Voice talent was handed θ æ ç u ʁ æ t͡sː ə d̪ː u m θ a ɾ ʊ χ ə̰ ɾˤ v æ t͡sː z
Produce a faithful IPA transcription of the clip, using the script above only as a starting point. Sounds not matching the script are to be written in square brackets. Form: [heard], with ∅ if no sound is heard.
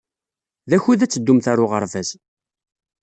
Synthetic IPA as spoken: [ð] æ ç u [ð] æ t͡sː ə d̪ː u m θ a ɾ ʊ [ʁ] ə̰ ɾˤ v æ [∅] z

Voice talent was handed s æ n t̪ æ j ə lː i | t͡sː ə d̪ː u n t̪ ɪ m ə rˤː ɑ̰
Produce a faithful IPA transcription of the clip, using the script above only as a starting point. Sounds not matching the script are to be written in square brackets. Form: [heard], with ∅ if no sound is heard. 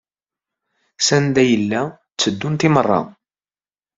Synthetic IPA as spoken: s æ n [d̪] æ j ə lː [æ] | t͡sː ə d̪ː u n t̪ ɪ m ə rˤː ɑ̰

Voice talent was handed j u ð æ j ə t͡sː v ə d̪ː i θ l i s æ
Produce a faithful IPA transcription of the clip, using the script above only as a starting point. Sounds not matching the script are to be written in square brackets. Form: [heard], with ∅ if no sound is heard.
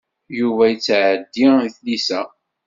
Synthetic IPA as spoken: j u [v] æ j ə t͡sː [ʕ] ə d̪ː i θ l i s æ

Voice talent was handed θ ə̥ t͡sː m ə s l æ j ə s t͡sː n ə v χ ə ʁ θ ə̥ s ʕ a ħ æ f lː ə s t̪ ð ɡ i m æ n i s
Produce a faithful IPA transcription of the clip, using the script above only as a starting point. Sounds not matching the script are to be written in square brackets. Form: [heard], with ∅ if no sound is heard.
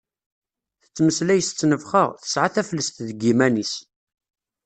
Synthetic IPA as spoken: θ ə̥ t͡sː m ə s l æ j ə s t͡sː n ə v χ ə ʁ θ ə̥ s ʕ a [θ] æ f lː ə s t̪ ð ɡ i m æ n i s

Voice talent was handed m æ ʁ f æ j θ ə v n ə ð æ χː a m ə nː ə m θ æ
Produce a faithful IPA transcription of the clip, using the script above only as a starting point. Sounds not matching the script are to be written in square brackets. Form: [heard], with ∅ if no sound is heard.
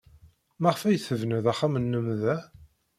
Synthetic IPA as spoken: m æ ʁ f æ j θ ə v n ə ð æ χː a m ə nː ə m [ð] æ

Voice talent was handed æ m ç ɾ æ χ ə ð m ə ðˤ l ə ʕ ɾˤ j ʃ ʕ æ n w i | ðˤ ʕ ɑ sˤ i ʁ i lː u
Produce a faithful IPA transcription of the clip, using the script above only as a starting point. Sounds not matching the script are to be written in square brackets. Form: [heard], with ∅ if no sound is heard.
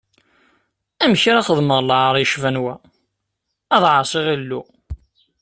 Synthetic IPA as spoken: æ m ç ɾ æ χ ə ð m ə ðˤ l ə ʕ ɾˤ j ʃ [v] æ n w [æ] | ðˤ ʕ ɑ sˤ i ʁ i lː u

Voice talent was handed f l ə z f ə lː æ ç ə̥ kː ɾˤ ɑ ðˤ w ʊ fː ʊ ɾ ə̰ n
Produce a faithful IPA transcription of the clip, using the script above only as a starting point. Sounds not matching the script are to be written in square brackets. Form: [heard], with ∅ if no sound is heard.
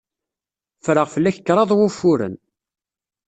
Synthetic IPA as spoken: f [ɾ] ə [ʁ] f ə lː æ ç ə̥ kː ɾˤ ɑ ðˤ w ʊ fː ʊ ɾ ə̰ n

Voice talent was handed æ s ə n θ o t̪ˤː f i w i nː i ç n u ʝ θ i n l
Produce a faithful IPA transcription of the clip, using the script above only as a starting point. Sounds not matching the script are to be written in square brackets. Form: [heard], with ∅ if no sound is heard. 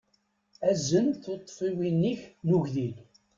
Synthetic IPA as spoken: æ [z] ə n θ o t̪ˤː f i w i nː i ç n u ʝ [ð] i [∅] l

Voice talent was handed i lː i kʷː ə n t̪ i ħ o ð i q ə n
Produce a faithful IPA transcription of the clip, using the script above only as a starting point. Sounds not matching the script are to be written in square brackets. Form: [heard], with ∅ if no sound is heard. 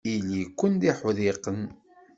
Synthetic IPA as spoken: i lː i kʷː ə n [d̪] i ħ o ð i q ə n

